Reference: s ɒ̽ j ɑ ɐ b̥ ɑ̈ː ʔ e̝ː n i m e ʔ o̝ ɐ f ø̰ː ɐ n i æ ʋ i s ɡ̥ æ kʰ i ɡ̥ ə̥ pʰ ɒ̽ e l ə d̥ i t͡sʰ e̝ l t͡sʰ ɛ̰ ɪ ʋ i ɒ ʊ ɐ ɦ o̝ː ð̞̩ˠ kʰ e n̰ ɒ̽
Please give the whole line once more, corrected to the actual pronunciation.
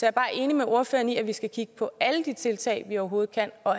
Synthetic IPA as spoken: s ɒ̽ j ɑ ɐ b̥ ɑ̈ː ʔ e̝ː n i m e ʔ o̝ ɐ f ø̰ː ɐ n i æ ʋ i s ɡ̥ æ kʰ i ɡ̥ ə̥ pʰ ɒ̽ æ l ə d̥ i t͡sʰ e̝ l t͡sʰ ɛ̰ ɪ ʋ i ɒ ʊ ɐ ɦ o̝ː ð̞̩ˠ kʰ æ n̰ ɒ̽